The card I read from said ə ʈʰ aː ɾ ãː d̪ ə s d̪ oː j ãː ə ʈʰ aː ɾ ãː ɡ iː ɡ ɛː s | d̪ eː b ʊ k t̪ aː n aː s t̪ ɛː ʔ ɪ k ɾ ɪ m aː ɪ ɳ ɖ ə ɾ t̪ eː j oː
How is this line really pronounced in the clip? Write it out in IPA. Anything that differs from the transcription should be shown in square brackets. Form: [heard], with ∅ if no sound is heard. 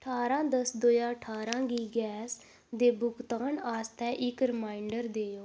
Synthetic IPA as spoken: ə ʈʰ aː ɾ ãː d̪ ə s d̪ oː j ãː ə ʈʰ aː ɾ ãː ɡ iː ɡ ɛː s | d̪ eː b ʊ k t̪ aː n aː s t̪ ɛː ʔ ɪ k ɾ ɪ m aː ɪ ɳ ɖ ə ɾ [d̪] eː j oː